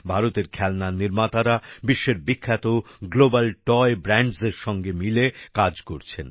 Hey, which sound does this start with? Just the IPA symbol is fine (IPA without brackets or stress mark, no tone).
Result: bʱ